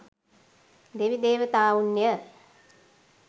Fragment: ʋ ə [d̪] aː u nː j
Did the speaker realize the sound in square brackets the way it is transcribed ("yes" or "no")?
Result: no